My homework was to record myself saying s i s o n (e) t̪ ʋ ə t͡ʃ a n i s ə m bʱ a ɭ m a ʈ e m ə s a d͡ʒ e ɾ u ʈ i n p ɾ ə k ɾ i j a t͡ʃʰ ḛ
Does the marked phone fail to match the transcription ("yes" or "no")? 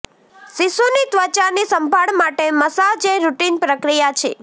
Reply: yes